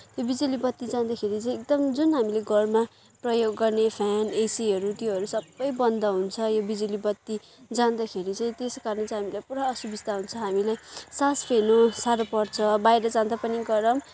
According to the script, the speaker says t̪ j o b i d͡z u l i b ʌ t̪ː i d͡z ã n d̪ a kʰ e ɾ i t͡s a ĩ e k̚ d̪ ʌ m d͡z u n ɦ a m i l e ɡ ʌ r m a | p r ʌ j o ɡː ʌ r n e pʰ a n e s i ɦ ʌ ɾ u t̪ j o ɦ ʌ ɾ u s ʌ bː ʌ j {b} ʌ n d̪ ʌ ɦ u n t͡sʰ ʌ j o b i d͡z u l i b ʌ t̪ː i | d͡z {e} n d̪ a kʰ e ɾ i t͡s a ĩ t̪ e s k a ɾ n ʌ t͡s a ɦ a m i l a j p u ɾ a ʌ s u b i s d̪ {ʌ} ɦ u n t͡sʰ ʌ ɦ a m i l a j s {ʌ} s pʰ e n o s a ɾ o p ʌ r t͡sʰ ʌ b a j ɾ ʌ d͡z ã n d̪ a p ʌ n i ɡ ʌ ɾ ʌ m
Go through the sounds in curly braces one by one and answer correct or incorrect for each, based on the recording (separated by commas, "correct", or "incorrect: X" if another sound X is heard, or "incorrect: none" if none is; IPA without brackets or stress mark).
correct, incorrect: a, incorrect: a, incorrect: a